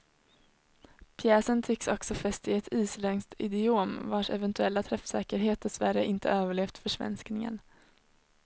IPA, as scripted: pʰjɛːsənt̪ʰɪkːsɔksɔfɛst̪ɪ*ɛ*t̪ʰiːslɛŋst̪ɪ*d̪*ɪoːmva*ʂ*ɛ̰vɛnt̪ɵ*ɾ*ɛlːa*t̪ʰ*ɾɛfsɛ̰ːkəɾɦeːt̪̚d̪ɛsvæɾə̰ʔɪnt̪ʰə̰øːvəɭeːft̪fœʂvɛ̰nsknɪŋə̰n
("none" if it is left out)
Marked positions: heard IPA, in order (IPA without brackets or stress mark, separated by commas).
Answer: ɛ, d̪, ʂ, none, t̪ʰ